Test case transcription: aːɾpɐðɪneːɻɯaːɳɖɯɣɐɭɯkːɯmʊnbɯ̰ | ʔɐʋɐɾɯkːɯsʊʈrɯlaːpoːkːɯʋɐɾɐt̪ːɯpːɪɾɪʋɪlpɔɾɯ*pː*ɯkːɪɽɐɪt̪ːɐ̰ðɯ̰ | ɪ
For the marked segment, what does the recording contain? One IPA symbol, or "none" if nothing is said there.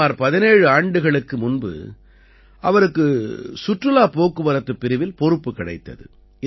pː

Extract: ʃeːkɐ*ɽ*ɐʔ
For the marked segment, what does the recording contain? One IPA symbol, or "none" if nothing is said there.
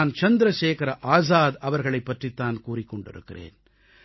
ɾ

